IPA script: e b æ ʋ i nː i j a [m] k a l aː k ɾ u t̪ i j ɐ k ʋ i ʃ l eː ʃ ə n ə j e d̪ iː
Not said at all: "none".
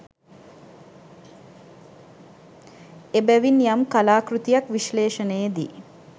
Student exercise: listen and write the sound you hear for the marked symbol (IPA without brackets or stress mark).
m